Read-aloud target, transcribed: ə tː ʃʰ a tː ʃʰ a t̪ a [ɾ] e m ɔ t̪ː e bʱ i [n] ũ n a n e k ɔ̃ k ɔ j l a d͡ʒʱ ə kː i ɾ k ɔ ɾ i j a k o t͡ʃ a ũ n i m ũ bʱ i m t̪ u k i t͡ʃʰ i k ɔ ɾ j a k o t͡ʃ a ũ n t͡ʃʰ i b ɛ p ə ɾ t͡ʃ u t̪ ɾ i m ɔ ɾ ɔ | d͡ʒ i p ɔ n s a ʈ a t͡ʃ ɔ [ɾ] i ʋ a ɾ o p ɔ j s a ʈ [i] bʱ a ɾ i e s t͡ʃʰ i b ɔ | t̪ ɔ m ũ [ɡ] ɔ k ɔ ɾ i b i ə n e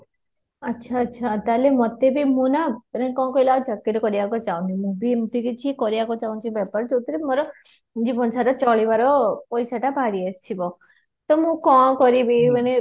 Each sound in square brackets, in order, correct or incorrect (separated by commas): incorrect, incorrect, incorrect, incorrect, incorrect